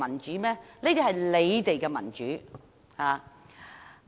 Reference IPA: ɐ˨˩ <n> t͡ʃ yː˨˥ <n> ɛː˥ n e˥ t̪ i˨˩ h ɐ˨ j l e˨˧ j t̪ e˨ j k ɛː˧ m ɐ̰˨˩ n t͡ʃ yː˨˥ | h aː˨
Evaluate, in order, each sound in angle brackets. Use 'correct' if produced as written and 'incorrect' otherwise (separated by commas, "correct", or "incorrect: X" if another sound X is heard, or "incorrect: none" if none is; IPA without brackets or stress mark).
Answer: correct, incorrect: m